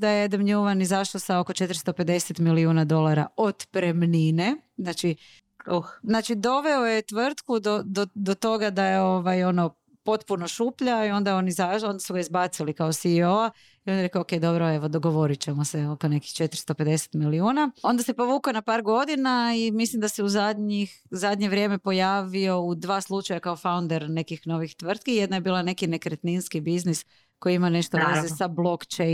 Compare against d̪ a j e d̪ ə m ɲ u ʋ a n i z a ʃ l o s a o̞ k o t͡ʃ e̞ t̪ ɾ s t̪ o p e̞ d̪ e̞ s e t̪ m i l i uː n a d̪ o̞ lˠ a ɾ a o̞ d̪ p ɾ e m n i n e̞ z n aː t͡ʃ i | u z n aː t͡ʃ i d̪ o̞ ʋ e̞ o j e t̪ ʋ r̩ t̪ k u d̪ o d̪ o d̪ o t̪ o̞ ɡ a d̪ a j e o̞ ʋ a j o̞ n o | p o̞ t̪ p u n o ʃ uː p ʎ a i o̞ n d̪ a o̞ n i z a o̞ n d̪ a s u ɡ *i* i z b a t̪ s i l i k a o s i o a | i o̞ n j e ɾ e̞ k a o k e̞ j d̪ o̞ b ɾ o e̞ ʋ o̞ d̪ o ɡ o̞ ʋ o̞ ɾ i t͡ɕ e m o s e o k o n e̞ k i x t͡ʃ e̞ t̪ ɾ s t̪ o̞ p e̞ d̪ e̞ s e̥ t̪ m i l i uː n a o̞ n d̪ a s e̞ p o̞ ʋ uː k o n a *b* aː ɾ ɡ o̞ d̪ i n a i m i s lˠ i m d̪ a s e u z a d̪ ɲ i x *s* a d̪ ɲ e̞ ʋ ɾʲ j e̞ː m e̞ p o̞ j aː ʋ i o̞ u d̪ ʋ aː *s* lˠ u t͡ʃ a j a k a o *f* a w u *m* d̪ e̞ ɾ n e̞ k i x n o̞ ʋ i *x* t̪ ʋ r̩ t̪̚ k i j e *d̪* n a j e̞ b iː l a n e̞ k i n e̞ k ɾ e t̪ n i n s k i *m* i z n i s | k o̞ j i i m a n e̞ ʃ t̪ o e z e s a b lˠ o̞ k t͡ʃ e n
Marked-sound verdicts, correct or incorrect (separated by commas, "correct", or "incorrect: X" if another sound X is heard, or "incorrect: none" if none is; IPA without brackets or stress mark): incorrect: a, incorrect: p, incorrect: z, correct, correct, incorrect: n, correct, correct, incorrect: b